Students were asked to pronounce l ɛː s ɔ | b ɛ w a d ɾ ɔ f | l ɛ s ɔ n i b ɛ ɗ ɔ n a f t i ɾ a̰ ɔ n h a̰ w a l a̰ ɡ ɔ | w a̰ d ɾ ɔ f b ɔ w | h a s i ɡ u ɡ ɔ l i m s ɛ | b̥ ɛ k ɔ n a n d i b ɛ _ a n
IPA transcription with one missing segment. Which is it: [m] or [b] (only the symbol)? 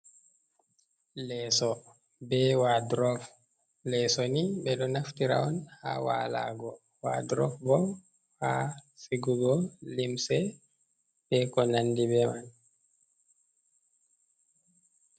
m